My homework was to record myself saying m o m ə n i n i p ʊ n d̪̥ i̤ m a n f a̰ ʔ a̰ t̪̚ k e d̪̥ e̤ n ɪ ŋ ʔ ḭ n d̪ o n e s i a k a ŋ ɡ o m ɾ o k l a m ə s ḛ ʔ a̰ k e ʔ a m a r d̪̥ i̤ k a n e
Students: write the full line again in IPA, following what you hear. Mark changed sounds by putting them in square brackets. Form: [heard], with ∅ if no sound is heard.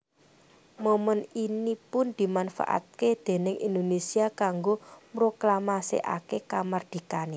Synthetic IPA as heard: m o m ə n i n i p ʊ n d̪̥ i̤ m a n f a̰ ʔ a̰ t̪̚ k e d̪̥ e̤ n ɪ ŋ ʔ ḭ n d̪ o n e s i a k a ŋ ɡ o m ɾ o k l a m [a] s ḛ ʔ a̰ k e [k] a m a r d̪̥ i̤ k a n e